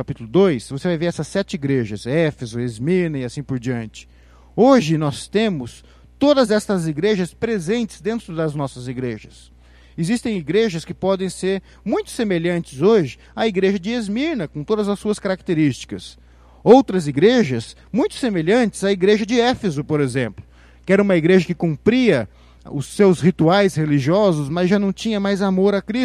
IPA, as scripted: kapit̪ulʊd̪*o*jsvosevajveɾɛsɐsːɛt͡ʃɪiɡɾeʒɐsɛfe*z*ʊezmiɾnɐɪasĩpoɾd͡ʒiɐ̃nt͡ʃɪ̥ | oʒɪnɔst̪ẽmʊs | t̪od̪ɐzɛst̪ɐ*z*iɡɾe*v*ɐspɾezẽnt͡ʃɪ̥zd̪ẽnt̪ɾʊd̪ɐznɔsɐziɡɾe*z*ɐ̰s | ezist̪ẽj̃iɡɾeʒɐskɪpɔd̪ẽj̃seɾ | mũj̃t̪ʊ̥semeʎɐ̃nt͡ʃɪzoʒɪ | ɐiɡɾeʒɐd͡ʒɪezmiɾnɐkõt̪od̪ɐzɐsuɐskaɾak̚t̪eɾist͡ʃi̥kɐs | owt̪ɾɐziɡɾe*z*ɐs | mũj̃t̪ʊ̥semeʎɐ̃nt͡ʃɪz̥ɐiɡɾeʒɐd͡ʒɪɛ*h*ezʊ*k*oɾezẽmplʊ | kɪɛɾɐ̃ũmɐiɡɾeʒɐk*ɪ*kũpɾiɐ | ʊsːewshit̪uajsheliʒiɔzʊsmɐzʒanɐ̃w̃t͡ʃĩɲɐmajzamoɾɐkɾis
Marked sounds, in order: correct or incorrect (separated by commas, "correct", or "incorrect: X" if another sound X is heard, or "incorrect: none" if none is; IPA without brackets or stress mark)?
correct, correct, correct, incorrect: ʒ, incorrect: ʒ, incorrect: ʒ, incorrect: f, incorrect: p, correct